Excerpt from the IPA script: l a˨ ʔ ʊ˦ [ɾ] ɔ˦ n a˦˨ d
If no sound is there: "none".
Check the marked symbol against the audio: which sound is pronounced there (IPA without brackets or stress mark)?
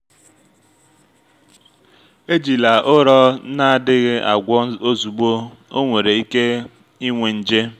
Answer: ɾ